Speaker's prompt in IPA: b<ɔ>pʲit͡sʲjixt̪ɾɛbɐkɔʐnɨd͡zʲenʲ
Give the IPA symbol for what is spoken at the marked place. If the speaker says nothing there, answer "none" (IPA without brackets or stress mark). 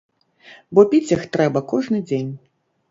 ɔ